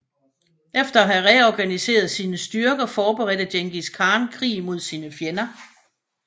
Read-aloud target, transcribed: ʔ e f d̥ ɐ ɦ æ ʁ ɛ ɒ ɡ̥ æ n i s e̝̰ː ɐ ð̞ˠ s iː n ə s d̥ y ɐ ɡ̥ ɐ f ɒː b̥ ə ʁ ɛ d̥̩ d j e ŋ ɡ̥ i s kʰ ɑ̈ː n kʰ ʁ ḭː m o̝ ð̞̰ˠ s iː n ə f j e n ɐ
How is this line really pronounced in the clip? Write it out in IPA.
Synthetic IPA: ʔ e f d̥ ɐ ɦ æ ʁ ɛ ɒ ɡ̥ æ n i s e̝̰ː ɐ ð̞ˠ s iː n ə s d̥ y ɐ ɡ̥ ɐ f ɒː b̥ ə ʁ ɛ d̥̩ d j e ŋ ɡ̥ i s kʰ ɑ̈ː n kʰ ʁ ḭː m o̝ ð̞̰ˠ s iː n ə f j e n ɐ